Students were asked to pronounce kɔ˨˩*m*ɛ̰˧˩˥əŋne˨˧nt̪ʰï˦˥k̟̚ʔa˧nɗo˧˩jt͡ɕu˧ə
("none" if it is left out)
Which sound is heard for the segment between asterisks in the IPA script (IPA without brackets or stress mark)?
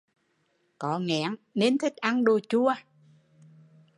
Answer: ŋ